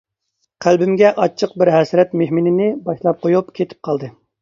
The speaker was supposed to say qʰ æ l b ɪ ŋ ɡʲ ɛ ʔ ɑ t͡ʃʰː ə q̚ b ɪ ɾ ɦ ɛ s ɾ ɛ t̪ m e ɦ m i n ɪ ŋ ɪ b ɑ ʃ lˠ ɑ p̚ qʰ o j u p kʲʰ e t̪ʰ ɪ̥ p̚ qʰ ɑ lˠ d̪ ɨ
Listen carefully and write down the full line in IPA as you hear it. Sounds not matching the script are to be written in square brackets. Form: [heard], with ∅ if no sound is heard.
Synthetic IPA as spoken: qʰ æ l b ɪ [m] ɡʲ ɛ ʔ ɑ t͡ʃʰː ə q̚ b ɪ ɾ ɦ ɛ s ɾ ɛ t̪ m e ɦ m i n ɪ [n] ɪ b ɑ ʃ lˠ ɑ p̚ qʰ o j u p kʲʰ e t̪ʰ ɪ̥ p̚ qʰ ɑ lˠ d̪ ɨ